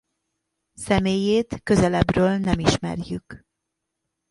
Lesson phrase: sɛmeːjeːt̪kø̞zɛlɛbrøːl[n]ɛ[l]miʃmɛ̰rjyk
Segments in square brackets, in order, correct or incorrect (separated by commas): correct, incorrect